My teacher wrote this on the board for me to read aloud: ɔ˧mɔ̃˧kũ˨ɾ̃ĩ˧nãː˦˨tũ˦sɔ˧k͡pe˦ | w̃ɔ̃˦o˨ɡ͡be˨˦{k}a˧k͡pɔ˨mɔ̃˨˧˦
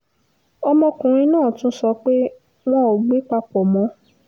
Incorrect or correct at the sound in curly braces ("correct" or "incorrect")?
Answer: incorrect